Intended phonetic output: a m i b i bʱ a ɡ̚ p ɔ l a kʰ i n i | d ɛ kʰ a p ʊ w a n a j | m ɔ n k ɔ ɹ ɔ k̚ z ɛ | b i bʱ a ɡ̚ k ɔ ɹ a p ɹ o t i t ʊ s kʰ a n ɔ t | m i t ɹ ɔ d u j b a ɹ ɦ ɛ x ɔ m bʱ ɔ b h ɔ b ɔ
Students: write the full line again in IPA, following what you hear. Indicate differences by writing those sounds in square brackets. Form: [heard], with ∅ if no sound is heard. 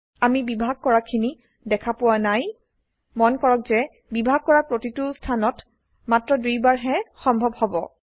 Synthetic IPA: a m i b i bʱ a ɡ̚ [k] ɔ [ɹ] a kʰ i n i | d ɛ kʰ a p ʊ w a n a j | m ɔ n k ɔ ɹ ɔ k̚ z ɛ | b i bʱ a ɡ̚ k ɔ ɹ a p ɹ o t i t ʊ s [tʰ] a n ɔ t | m [a] t ɹ ɔ d u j b a ɹ ɦ ɛ x ɔ m bʱ ɔ b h ɔ b ɔ